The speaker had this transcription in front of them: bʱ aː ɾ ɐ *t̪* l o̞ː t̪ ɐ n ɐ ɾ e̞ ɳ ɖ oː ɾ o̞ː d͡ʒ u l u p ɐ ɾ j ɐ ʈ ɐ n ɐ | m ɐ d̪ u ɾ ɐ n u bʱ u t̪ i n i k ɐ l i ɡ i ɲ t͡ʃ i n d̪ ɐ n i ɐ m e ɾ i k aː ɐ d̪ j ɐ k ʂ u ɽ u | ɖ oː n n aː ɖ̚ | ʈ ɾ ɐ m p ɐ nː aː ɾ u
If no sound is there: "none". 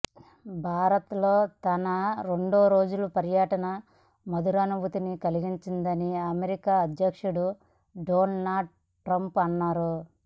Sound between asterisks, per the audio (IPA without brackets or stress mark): t̪